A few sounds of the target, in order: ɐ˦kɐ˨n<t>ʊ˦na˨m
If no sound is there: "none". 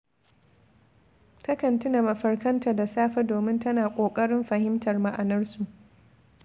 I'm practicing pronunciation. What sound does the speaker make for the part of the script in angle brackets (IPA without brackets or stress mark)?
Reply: t